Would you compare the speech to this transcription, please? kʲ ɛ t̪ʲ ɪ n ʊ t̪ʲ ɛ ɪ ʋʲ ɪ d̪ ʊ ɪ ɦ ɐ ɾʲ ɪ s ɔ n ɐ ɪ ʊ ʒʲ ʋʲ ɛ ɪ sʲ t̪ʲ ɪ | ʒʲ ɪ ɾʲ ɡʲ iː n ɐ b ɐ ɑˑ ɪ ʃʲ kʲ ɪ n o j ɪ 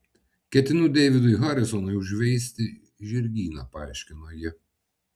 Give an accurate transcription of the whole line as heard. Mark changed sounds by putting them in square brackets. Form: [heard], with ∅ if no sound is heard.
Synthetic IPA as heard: kʲ ɛ t̪ʲ ɪ n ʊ [d̪ʲ] ɛ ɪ ʋʲ ɪ d̪ ʊ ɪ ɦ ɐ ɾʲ ɪ s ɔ n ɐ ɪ ʊ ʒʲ ʋʲ ɛ ɪ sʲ t̪ʲ ɪ | ʒʲ ɪ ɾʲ ɡʲ iː n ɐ [p] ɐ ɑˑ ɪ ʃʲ kʲ ɪ n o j ɪ